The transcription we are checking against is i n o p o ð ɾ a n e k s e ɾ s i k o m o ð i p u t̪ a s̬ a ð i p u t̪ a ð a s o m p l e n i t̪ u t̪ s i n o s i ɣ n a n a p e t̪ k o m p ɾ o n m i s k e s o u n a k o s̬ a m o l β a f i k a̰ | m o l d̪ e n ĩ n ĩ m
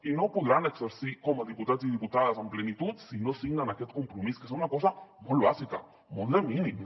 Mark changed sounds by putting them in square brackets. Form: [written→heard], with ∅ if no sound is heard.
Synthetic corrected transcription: i n o p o ð ɾ a n e k s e ɾ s i k o m o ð i p u t̪ a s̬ [a→i] ð i p u t̪ a ð a s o m p l e n i t̪ u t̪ s i n o s i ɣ n a n a [p→k] e t̪ k o m p ɾ o [n→∅] m i s k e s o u n a k o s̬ a m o l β a [f→s] i k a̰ | m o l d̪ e [n→m] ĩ n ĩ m